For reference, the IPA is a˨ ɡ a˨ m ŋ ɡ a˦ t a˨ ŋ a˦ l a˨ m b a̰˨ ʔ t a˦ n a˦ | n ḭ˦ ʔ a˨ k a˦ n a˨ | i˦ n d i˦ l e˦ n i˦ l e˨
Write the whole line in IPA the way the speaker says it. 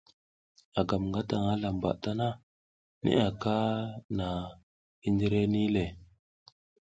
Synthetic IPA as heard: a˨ ɡ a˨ m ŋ ɡ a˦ t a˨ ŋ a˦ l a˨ m b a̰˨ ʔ t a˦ n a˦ | n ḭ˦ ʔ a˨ k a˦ n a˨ | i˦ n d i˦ ɾ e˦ n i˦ l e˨